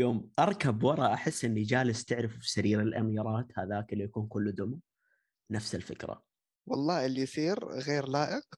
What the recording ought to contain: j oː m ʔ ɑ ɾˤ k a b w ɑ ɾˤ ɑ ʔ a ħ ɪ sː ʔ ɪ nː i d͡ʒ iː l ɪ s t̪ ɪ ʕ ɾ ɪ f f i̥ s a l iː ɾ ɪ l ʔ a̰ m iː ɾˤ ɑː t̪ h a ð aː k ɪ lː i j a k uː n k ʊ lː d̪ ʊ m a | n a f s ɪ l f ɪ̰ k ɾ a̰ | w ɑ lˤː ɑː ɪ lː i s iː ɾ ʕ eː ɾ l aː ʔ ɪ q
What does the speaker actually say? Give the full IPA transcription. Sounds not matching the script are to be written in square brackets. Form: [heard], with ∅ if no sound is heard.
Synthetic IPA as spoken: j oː m ʔ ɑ ɾˤ k a b w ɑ ɾˤ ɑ ʔ a ħ ɪ sː ʔ ɪ nː i d͡ʒ [aː] l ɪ s t̪ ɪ ʕ ɾ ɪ f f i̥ s a [ɾ] iː ɾ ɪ l ʔ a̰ m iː ɾˤ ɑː t̪ h a ð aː k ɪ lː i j a k uː n k ʊ lː d̪ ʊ m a | n a f s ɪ l f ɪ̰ k ɾ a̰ | w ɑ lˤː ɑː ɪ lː i s iː ɾ [ɣ] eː ɾ l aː ʔ ɪ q